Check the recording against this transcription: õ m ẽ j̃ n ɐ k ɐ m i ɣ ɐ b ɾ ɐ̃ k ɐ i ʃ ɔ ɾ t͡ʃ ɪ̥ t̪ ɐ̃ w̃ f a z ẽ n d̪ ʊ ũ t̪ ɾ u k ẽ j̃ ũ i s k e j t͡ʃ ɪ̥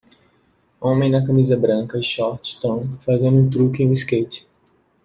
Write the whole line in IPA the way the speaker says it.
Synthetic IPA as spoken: õ m ẽ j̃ n ɐ k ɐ m i z ɐ b ɾ ɐ̃ k ɐ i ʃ ɔ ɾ t͡ʃ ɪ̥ t̪ ɐ̃ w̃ f a z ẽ n d̪ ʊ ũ t̪ ɾ u k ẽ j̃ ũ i s k e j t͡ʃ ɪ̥